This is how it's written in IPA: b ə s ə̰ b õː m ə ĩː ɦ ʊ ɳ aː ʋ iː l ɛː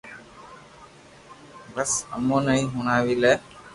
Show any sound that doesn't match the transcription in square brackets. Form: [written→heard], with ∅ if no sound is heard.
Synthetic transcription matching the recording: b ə s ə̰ [b→m] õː [m→n] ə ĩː ɦ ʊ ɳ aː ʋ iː l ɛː